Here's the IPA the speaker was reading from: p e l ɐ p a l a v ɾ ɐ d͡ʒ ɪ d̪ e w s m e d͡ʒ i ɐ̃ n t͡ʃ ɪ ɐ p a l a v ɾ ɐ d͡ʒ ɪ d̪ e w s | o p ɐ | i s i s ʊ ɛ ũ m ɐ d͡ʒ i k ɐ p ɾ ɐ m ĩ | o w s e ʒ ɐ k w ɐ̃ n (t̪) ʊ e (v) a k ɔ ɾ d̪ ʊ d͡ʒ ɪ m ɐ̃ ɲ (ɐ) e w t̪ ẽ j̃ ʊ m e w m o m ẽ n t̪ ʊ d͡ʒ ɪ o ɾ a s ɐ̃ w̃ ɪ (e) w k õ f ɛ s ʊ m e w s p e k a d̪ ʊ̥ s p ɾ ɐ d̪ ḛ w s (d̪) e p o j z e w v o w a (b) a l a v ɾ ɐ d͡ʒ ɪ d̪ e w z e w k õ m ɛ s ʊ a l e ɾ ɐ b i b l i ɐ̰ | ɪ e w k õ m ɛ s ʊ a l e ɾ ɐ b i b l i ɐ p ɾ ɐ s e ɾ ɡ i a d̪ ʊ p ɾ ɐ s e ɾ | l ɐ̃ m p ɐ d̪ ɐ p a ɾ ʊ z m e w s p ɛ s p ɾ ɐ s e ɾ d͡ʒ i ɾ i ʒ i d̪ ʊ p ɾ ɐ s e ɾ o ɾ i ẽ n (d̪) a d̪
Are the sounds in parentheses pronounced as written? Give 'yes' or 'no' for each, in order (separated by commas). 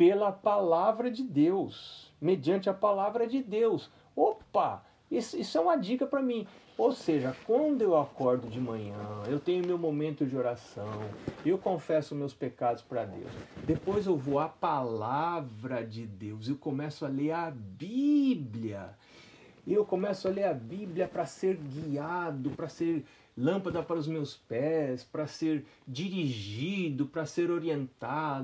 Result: no, no, no, yes, yes, no, no